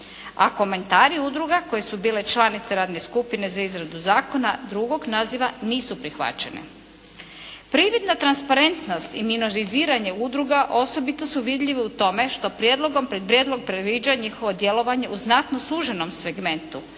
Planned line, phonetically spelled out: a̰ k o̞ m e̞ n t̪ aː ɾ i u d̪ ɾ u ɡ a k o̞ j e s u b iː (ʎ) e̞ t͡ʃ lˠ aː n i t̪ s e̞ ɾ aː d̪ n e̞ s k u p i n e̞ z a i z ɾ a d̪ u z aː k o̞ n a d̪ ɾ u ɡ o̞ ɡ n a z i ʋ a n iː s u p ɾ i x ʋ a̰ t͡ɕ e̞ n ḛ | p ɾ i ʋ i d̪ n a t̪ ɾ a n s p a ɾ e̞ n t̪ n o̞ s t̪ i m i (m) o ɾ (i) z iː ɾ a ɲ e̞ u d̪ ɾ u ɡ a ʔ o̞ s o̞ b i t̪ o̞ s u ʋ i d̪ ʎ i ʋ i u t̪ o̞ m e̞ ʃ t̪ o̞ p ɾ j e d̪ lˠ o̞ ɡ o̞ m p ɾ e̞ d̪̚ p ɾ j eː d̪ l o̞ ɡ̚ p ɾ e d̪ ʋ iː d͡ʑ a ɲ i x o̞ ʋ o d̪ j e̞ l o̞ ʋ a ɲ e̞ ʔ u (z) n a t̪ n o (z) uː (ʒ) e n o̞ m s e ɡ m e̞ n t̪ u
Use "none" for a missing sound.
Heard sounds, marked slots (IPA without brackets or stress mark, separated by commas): l, n, i, z, s, ʒ